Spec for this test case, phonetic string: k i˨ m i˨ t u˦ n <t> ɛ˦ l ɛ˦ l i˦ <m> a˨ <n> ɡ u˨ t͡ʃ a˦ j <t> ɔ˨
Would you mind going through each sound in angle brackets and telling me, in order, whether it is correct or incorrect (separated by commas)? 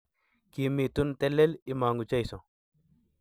correct, correct, incorrect, incorrect